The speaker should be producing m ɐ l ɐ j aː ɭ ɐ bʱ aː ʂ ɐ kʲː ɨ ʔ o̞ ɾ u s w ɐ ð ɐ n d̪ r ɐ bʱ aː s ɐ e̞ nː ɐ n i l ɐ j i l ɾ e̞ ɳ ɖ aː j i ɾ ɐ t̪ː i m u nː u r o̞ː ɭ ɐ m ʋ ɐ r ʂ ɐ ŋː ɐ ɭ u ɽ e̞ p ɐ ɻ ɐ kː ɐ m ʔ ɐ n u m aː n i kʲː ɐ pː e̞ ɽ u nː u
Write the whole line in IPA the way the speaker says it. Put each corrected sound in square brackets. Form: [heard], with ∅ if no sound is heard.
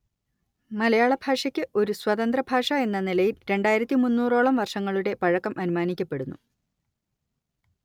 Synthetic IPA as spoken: m ɐ l ɐ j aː ɭ ɐ bʱ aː ʂ ɐ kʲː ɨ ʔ o̞ ɾ u s w ɐ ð ɐ n d̪ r ɐ bʱ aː [ʂ] ɐ e̞ nː ɐ n i l ɐ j i l ɾ e̞ ɳ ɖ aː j i ɾ ɐ t̪ː i m u nː [uː] r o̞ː ɭ ɐ m ʋ ɐ r ʂ ɐ ŋː ɐ ɭ u ɽ e̞ p ɐ ɻ ɐ kː ɐ m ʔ ɐ n u m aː n i kʲː ɐ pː e̞ ɽ u nː u